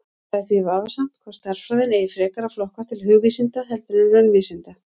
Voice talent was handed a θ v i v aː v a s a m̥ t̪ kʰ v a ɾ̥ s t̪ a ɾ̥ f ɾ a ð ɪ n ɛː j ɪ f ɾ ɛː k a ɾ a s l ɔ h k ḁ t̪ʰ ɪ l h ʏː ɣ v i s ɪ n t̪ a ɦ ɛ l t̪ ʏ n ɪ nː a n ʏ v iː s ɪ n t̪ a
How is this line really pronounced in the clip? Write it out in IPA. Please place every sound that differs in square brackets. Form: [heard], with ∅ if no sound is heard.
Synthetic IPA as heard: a θ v i v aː v a s a m̥ t̪ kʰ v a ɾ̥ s t̪ a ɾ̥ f ɾ a ð ɪ n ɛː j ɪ f ɾ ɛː k a ɾ a [f] l ɔ h k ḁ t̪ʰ ɪ l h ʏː ɣ v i s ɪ n t̪ a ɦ ɛ l t̪ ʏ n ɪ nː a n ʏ v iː s ɪ n t̪ a